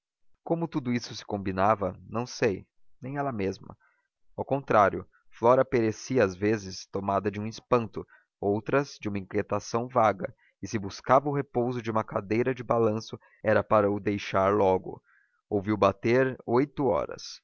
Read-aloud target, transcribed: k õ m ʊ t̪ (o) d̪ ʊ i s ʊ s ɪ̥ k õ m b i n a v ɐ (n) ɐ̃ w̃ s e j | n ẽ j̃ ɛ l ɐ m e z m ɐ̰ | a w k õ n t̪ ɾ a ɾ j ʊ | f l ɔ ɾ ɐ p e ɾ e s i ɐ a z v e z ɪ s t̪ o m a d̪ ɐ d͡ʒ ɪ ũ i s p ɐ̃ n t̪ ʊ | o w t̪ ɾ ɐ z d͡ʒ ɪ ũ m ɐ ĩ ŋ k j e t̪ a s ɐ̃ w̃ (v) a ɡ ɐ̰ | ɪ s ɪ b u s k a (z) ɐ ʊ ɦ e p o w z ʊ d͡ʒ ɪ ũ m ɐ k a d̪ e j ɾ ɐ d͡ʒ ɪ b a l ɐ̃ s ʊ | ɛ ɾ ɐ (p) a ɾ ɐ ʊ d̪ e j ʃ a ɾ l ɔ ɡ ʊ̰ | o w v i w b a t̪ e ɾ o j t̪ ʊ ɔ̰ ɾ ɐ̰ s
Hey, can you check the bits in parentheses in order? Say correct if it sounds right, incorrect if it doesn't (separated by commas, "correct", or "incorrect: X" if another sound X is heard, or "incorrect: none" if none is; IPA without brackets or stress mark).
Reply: incorrect: u, correct, correct, incorrect: v, correct